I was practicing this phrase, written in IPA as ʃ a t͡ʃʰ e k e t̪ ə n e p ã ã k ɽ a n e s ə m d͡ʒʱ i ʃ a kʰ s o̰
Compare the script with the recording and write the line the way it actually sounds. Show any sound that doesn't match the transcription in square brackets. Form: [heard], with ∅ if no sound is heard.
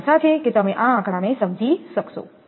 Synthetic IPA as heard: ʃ a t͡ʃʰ e k e t̪ ə [m] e [ʔ] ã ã k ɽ a n e s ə m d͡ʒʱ i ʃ [ə] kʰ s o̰